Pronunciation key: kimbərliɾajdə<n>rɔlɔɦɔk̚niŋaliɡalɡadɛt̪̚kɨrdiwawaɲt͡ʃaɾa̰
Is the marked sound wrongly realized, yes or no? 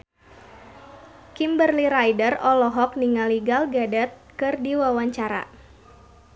yes